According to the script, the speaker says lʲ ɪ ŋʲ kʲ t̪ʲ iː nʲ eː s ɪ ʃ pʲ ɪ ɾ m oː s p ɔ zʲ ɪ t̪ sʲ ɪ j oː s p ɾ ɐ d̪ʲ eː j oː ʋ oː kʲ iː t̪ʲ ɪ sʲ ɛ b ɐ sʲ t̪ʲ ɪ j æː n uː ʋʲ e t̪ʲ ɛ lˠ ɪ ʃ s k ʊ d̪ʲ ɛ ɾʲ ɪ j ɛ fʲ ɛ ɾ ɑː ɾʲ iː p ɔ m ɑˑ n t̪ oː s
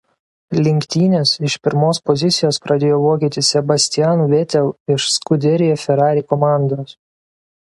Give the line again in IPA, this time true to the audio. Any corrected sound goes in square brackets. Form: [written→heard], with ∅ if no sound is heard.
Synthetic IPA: lʲ ɪ ŋʲ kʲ t̪ʲ iː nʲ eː s ɪ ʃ pʲ ɪ ɾ m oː s p ɔ zʲ ɪ t̪ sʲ ɪ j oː s p ɾ ɐ d̪ʲ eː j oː ʋ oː kʲ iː t̪ʲ ɪ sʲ ɛ b ɐ sʲ t̪ʲ ɪ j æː n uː ʋʲ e t̪ʲ ɛ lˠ ɪ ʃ s k ʊ d̪ʲ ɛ ɾʲ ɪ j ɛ fʲ ɛ ɾ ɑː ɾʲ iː [p→k] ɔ m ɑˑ n [t̪→d̪] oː s